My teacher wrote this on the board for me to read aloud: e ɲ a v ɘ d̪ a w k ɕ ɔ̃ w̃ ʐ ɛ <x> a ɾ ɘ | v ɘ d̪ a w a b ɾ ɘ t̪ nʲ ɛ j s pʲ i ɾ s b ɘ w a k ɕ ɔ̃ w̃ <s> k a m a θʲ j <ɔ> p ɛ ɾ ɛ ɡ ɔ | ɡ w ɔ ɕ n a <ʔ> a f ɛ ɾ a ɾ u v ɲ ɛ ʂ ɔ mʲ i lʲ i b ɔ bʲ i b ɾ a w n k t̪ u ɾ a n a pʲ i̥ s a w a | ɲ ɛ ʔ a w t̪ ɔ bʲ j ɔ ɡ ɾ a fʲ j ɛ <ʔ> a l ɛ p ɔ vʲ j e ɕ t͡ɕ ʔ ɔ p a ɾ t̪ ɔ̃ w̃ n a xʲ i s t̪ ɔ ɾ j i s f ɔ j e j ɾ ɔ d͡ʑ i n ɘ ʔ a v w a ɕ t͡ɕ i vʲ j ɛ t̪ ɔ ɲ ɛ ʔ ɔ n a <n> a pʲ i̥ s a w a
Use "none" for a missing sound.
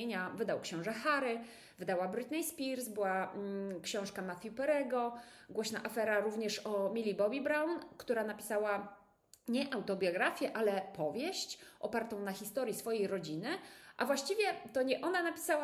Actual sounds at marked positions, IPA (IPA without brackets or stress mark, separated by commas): x, ʂ, u, ʔ, ʔ, n